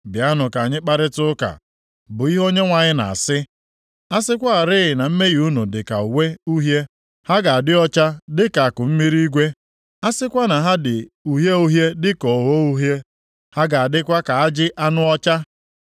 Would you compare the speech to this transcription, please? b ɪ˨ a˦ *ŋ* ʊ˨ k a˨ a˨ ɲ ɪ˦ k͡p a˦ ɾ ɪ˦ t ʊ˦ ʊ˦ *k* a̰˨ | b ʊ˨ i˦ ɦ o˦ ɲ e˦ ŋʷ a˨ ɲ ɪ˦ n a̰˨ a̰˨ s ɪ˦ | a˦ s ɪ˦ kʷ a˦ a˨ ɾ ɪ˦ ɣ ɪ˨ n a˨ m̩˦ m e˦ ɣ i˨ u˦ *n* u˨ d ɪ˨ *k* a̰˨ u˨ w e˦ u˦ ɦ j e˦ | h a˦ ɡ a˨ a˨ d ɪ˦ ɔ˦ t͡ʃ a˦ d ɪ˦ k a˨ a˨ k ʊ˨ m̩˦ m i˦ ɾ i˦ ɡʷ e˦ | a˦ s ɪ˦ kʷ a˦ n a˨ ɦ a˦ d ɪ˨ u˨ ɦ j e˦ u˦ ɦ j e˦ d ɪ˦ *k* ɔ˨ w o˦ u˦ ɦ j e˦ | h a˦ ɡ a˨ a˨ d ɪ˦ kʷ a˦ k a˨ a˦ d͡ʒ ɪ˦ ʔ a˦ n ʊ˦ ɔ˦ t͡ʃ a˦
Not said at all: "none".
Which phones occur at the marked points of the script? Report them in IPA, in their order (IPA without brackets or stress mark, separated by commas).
n, k, n, k, k